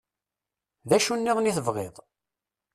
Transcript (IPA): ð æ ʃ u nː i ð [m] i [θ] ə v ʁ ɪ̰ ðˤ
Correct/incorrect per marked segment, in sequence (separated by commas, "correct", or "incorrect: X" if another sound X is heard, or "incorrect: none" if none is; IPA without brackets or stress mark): incorrect: n, correct